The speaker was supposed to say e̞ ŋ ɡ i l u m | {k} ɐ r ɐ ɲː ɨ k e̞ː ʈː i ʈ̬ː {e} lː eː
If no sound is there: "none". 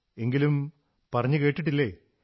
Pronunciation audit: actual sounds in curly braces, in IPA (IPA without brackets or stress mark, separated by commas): p, i